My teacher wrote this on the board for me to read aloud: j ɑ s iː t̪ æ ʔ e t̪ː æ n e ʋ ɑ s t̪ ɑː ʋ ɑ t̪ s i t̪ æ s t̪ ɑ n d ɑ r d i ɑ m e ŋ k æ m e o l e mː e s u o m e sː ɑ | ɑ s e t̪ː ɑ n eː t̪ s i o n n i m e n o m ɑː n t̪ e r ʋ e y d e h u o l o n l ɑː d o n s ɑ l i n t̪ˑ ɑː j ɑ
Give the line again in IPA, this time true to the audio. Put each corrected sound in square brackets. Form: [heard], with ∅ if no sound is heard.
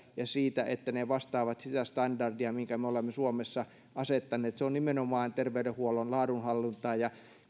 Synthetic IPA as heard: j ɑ s iː t̪ æ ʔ e t̪ː æ n e ʋ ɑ s t̪ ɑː ʋ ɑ t̪ s i t̪ æ s t̪ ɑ n d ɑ r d i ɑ m [i] ŋ k æ m e o l e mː e s u o m e sː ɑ | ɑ s e t̪ː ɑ n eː t̪ s [e] o n n i m e n o m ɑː n t̪ e r ʋ e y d e h u o l o n l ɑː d [u] n [h] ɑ [lː] i n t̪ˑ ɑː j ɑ